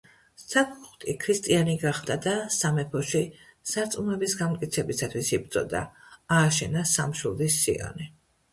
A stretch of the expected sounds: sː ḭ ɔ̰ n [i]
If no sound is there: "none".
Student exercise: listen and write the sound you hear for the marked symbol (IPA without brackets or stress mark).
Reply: i